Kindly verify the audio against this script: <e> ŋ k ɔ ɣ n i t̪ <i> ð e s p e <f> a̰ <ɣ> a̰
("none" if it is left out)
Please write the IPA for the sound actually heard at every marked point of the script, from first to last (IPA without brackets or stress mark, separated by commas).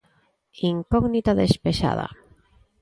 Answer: i, a, ʃ, ð